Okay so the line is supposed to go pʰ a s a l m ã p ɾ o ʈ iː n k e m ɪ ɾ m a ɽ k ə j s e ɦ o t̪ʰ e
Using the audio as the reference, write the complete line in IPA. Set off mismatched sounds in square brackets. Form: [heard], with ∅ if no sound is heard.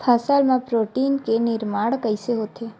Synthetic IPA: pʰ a s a l m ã p ɾ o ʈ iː n k e [n] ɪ ɾ m a ɽ k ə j s e ɦ o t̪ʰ e